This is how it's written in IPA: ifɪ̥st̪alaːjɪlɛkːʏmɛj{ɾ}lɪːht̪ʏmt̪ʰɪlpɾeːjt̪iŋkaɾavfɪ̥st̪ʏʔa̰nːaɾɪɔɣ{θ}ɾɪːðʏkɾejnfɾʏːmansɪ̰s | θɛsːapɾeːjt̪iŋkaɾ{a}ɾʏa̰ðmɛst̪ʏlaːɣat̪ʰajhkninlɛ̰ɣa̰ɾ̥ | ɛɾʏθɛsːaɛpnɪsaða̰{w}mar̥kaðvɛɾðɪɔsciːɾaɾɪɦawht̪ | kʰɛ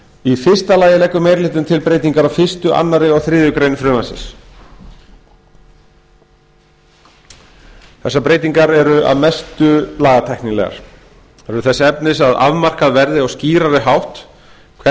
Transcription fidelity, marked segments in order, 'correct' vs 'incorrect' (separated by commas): correct, correct, incorrect, incorrect